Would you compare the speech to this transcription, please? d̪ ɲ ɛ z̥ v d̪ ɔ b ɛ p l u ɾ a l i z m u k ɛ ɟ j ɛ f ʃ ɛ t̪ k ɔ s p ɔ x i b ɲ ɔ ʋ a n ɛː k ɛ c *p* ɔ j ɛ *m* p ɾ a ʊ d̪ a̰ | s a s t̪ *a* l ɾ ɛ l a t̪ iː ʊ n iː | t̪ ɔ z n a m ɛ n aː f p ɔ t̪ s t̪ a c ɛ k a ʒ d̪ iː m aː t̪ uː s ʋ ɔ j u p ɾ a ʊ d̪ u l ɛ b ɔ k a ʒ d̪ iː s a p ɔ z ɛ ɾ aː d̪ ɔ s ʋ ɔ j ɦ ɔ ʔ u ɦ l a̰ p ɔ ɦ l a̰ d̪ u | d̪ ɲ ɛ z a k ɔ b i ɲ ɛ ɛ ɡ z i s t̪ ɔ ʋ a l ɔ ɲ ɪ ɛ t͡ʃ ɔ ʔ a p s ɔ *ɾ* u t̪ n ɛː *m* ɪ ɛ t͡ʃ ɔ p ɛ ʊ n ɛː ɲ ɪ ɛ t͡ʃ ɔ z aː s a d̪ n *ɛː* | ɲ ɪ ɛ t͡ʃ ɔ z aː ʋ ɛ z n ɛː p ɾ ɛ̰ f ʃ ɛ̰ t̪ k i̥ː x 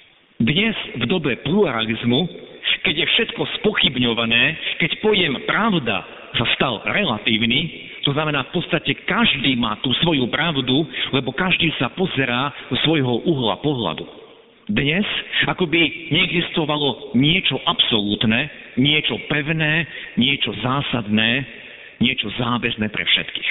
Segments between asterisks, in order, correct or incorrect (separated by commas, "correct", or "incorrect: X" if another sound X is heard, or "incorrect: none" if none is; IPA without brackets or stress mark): correct, correct, correct, incorrect: l, incorrect: ɲ, correct